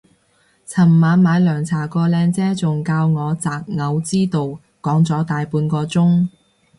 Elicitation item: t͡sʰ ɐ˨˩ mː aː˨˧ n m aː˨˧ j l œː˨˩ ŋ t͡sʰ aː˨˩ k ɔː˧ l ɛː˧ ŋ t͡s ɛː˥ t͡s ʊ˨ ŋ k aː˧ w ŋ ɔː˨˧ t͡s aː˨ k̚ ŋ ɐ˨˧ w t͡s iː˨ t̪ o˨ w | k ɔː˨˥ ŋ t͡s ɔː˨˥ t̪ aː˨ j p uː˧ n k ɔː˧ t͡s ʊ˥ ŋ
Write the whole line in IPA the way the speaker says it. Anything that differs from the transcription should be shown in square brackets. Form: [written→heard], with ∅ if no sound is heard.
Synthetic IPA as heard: t͡sʰ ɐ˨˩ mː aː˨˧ n m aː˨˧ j l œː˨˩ ŋ t͡sʰ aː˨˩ k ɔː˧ l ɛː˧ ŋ t͡s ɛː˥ t͡s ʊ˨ ŋ k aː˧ w ŋ ɔː˨˧ t͡s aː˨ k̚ ŋ ɐ˨˧ w t͡s [iː˨→iː˥] t̪ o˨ w | k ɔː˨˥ ŋ t͡s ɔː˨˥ t̪ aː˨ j p uː˧ n k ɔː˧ t͡s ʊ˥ ŋ